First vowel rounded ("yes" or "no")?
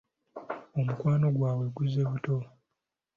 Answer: yes